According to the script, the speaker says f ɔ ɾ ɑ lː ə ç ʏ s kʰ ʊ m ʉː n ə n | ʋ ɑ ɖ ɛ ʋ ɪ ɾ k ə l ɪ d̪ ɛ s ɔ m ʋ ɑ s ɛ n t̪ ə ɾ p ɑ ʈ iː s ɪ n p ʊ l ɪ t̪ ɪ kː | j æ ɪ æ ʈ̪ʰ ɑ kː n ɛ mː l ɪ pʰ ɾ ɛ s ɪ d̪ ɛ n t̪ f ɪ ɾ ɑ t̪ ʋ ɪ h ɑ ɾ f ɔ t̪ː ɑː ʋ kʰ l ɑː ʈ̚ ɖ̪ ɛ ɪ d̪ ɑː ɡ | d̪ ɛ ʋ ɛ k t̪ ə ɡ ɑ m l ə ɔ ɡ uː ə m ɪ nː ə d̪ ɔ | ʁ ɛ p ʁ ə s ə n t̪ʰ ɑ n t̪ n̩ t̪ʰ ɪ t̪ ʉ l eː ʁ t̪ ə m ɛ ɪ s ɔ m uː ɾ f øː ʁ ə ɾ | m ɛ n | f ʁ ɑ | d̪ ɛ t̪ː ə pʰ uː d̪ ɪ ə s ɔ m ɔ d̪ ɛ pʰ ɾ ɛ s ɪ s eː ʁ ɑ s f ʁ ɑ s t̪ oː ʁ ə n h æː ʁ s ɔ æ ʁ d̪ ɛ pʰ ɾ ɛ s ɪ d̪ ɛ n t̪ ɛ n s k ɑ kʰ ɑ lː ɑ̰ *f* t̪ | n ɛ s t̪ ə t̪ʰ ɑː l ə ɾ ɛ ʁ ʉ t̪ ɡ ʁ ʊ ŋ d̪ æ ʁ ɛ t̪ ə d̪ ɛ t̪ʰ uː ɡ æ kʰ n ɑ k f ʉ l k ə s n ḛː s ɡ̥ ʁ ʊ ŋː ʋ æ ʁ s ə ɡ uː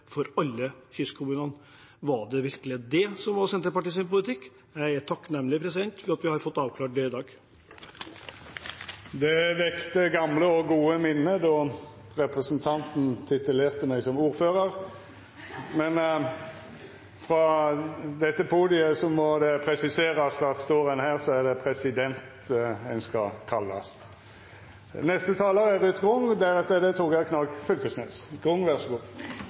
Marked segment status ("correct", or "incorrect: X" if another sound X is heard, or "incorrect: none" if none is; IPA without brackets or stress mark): incorrect: s